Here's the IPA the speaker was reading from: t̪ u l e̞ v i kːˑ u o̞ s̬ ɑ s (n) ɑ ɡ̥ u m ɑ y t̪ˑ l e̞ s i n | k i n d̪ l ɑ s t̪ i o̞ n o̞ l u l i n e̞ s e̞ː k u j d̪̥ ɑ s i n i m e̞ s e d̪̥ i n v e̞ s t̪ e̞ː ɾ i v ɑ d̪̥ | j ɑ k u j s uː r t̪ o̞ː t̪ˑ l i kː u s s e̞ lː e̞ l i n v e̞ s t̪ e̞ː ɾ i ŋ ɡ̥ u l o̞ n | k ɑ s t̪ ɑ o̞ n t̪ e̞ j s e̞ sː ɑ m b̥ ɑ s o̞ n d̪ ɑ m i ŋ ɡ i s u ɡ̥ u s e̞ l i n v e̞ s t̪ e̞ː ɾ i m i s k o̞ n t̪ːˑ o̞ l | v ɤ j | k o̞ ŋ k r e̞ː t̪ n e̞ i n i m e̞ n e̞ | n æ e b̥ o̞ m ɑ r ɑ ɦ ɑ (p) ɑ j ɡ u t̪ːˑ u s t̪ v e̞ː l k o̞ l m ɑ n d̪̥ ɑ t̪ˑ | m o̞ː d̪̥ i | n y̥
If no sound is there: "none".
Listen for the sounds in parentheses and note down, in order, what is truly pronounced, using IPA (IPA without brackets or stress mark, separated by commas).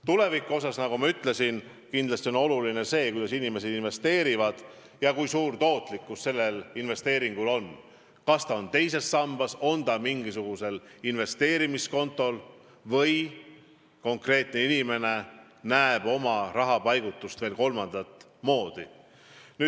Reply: n, p